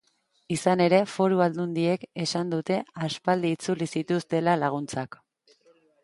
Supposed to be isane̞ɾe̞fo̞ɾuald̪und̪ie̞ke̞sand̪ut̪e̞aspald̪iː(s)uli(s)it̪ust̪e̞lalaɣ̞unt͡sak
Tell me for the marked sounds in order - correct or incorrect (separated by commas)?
incorrect, correct